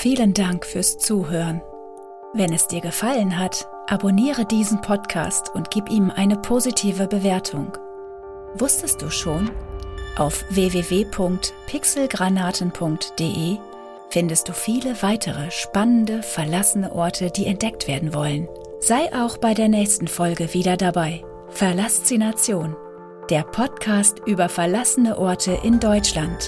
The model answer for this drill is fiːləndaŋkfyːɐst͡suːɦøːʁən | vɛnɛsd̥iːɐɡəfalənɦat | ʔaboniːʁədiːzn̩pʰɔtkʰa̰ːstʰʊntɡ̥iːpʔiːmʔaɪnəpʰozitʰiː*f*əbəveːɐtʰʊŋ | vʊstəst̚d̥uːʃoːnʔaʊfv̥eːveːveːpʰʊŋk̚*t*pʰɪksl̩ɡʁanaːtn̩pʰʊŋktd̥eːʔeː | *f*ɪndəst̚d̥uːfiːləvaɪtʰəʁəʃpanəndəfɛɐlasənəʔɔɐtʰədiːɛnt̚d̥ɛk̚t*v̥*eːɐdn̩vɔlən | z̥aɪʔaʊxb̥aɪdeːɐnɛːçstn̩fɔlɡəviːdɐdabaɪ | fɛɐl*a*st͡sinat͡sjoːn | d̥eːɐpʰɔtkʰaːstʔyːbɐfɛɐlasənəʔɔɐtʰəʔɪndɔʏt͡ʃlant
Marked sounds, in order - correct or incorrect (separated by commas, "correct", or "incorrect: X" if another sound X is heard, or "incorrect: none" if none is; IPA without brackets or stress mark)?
incorrect: v, correct, correct, correct, correct